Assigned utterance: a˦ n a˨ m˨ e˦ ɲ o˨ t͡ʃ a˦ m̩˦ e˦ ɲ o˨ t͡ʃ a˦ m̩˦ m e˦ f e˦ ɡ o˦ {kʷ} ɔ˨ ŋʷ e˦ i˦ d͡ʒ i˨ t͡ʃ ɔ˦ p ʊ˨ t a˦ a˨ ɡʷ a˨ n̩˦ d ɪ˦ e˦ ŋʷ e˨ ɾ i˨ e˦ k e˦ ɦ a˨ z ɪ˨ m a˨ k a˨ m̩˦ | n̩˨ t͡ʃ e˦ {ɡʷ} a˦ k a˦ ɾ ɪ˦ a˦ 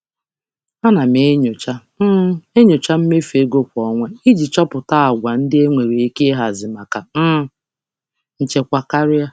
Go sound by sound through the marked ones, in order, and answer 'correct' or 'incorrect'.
correct, incorrect: kʷ

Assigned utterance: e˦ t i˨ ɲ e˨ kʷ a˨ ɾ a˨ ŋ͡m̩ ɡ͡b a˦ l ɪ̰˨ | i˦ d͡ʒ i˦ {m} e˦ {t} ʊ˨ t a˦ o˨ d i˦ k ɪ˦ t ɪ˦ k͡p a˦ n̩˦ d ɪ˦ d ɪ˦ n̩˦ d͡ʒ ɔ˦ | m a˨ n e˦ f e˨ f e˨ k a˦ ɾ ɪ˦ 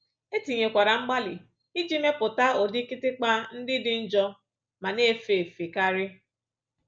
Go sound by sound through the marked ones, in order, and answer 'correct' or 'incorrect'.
correct, incorrect: p

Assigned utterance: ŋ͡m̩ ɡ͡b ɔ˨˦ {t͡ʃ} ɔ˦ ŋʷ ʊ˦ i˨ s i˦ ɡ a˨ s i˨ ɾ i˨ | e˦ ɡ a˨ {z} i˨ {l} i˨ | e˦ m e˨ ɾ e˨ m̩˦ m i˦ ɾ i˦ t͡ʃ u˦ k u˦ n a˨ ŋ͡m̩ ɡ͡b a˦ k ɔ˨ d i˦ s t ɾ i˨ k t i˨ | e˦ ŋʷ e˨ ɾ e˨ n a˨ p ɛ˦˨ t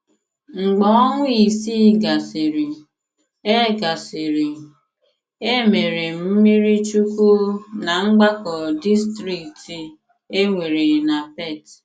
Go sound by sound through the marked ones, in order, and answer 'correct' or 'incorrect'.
incorrect: none, incorrect: s, incorrect: ɾ

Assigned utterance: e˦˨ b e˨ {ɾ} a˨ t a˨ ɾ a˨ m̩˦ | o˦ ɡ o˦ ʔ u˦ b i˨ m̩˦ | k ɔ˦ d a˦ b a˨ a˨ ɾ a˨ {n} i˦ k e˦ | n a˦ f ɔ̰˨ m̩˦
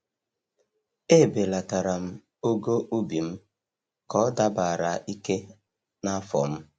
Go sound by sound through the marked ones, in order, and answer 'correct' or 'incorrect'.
incorrect: l, incorrect: none

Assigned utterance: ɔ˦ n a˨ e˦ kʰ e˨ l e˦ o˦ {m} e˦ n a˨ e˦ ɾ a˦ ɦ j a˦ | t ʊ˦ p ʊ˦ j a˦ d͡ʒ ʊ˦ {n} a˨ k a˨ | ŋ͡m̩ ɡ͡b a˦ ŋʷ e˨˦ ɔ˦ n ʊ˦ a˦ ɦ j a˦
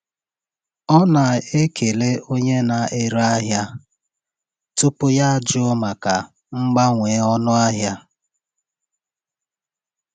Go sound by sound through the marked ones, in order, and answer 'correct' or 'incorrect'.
incorrect: ɲ, incorrect: m

